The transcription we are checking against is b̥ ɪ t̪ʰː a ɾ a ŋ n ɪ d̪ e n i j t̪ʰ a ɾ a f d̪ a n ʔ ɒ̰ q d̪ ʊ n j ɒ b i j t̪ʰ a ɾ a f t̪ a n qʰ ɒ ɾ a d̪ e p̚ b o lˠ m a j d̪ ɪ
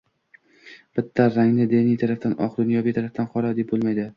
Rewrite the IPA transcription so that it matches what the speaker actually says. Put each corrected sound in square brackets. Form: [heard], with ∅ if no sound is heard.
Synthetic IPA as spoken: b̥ ɪ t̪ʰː a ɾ a ŋ n ɪ d̪ e n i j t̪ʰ a ɾ a f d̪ a n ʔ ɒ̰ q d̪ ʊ n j ɒ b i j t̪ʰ a ɾ a f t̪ a n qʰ ɒ ɾ a d̪ e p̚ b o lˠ m a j d̪ ɪ